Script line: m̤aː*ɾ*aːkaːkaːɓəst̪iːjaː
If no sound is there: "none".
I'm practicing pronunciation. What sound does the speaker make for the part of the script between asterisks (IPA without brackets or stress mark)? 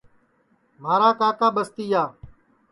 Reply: ɾ